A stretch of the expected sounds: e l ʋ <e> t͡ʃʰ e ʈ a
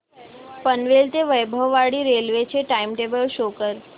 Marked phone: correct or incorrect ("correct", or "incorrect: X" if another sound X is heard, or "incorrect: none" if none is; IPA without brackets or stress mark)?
correct